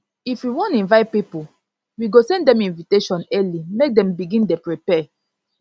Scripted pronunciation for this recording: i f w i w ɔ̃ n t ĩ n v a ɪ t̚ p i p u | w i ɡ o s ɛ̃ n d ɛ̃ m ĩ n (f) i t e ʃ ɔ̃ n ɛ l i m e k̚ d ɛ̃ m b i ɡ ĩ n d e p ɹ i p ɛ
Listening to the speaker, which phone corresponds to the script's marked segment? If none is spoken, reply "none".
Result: v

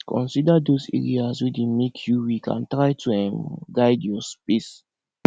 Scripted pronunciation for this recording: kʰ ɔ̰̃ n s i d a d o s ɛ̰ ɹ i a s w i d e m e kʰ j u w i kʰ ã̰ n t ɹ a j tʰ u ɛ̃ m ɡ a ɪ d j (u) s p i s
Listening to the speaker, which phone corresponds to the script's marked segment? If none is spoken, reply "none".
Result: ɔ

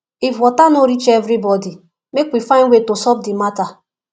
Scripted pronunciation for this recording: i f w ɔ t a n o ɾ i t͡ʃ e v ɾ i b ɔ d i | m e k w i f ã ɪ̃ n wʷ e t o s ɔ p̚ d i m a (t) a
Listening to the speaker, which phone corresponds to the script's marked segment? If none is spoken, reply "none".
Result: t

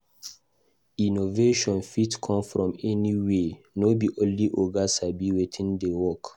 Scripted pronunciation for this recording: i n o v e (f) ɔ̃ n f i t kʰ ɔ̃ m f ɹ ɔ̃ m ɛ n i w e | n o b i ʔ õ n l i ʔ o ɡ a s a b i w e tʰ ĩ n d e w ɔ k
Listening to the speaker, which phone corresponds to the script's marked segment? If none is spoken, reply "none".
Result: ʃ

